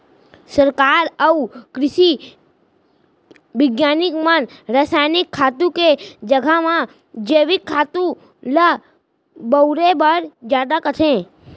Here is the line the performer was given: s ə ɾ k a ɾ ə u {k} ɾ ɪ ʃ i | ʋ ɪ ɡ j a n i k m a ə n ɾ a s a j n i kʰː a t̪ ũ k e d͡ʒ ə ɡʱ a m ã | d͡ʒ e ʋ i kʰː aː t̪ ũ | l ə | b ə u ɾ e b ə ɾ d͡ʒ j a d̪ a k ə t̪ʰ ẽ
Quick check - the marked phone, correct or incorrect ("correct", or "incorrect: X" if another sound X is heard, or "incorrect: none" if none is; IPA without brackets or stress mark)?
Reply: correct